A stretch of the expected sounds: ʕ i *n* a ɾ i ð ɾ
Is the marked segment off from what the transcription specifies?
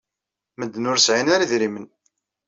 no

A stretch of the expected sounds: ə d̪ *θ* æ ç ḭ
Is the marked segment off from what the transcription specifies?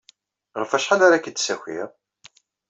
yes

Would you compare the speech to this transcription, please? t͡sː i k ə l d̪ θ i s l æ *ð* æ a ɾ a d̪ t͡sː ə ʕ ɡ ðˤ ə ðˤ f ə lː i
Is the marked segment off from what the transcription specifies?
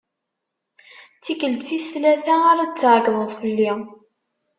yes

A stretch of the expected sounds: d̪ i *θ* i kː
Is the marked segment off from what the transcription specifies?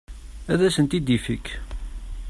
yes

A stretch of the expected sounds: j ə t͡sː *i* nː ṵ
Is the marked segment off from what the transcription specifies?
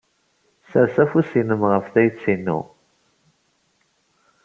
no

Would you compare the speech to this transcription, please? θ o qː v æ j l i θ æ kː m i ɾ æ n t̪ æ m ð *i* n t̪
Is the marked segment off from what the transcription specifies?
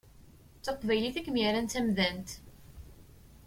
yes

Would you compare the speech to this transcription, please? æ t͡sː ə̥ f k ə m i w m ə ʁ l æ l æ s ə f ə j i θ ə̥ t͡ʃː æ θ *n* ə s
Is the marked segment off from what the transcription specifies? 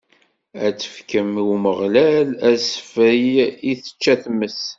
yes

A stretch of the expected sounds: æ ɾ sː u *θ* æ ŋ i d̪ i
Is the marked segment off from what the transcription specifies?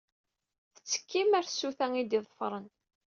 no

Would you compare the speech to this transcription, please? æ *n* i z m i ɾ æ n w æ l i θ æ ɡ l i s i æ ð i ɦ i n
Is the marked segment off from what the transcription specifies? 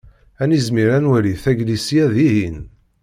no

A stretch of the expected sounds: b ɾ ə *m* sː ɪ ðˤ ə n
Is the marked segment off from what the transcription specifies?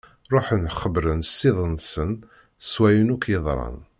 yes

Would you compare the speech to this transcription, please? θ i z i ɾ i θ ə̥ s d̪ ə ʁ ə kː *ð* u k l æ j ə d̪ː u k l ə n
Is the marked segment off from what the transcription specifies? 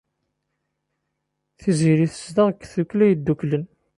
yes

